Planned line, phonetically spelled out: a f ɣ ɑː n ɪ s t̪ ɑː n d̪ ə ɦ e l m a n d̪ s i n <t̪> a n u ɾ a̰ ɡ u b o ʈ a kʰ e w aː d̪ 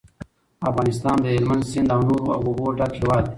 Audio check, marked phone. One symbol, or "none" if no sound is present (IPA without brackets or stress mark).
d̪